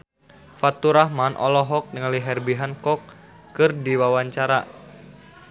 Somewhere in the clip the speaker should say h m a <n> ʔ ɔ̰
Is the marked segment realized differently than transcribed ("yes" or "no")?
no